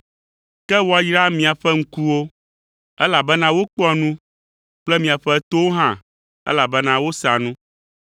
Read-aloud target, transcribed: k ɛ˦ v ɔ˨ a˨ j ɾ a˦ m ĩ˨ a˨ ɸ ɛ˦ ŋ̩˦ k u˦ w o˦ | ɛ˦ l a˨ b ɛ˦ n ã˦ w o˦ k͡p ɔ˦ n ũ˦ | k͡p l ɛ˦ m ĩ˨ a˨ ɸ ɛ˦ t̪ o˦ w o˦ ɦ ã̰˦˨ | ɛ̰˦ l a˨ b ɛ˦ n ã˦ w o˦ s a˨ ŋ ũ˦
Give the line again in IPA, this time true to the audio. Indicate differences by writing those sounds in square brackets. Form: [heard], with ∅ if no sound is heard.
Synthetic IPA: k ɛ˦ [w] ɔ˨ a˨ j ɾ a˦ m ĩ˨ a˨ ɸ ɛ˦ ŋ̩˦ k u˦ w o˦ | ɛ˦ l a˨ b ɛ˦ n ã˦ w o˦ k͡p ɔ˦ n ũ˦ | k͡p l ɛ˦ m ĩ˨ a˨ ɸ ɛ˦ t̪ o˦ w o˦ ɦ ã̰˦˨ | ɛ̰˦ l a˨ b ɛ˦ n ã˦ w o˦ s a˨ [n] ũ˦